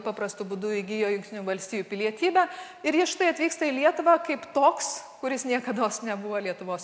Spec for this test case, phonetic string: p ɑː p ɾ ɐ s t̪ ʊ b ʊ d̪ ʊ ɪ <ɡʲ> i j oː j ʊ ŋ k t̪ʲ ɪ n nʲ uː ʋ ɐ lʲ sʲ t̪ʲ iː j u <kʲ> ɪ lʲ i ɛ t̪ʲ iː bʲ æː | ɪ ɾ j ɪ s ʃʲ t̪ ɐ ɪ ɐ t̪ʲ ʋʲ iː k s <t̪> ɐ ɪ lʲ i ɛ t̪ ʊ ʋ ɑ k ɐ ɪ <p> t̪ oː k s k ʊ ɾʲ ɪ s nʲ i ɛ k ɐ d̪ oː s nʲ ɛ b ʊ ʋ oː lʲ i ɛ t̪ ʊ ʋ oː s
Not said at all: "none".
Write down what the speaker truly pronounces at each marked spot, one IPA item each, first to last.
ɡʲ, pʲ, t̪, p

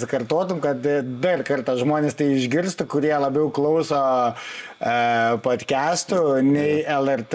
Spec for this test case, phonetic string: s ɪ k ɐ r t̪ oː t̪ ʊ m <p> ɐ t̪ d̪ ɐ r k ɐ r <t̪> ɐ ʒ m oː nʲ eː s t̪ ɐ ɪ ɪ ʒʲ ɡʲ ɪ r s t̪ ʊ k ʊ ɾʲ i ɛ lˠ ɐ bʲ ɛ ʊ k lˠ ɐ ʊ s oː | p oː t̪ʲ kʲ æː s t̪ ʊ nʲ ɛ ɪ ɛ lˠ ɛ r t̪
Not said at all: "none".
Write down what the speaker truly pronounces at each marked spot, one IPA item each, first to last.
k, t̪

